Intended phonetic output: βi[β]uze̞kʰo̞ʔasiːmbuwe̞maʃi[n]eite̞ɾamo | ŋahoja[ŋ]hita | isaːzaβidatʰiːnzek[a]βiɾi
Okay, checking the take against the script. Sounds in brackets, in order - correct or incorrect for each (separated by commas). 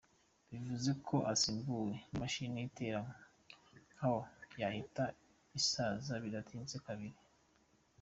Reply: incorrect, correct, incorrect, correct